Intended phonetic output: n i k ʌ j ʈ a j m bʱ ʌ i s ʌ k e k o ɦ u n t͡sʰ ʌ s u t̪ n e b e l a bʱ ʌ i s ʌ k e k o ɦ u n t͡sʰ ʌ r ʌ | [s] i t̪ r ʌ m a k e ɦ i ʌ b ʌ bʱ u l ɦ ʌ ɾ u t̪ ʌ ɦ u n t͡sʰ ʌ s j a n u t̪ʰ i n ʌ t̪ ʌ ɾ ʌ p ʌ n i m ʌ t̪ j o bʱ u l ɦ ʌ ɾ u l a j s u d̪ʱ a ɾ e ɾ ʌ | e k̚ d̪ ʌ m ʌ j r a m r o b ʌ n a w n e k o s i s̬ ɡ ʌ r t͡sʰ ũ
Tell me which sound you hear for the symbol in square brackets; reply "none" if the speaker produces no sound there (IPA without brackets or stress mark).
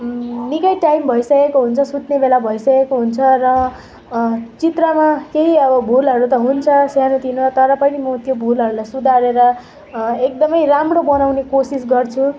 t͡s